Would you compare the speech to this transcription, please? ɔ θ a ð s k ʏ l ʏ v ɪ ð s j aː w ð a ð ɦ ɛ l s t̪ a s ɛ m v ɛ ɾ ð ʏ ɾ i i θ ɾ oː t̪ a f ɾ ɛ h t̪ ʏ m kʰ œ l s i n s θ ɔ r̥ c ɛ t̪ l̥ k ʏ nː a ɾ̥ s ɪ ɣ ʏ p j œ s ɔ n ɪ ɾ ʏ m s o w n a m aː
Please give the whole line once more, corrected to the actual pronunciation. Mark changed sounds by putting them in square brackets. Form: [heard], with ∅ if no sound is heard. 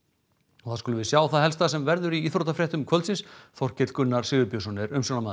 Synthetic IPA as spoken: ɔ θ a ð s k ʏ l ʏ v ɪ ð s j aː w [θ] a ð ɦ ɛ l s t̪ a s ɛ m v ɛ ɾ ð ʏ ɾ i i θ ɾ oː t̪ a f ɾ ɛ h t̪ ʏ m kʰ œ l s [ɪ] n s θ ɔ r̥ c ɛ t̪ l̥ k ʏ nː a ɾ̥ s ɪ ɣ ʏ p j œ s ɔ n ɪ ɾ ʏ m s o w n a m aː